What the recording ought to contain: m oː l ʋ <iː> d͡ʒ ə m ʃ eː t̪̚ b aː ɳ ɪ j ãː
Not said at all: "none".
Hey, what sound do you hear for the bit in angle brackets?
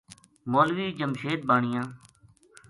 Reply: iː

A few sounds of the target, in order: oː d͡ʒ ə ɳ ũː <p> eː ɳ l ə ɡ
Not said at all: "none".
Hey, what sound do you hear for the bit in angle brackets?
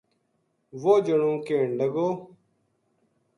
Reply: k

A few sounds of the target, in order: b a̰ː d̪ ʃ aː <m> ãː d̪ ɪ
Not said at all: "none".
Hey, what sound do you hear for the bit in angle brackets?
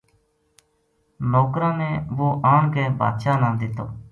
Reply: n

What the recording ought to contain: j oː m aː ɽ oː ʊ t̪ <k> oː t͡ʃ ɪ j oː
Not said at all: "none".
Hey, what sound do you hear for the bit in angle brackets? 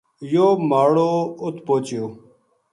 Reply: p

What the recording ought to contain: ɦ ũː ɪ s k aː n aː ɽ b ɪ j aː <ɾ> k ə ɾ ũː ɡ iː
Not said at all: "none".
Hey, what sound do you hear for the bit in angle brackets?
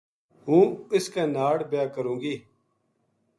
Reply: none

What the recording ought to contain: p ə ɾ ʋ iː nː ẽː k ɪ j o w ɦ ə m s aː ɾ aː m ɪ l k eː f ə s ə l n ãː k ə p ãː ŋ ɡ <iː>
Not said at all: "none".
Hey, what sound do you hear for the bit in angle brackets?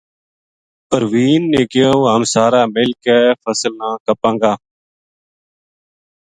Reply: aː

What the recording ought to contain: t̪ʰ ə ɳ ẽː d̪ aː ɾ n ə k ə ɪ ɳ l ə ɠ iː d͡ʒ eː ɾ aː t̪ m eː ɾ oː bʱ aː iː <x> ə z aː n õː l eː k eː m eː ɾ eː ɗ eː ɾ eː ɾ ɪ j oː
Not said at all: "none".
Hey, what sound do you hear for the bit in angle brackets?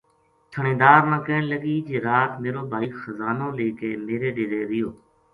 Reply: x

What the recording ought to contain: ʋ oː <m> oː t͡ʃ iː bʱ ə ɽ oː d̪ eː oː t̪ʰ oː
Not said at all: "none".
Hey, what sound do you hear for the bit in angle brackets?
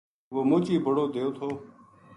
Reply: m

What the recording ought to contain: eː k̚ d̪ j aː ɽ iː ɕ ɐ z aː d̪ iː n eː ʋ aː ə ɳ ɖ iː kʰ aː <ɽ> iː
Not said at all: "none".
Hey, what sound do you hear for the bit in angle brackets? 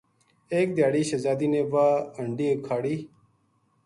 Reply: ɽ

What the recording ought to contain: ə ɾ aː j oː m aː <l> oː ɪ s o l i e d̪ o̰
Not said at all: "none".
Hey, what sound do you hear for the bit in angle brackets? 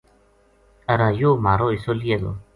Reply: ɾ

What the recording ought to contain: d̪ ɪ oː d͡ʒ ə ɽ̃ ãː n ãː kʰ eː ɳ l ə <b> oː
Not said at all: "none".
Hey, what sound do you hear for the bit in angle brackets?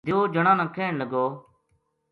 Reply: ɡ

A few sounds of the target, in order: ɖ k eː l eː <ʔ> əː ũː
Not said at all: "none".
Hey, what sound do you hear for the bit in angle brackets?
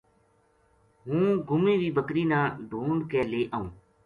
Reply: ʔ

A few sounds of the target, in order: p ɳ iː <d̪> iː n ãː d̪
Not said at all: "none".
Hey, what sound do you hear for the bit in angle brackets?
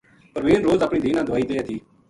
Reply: d̪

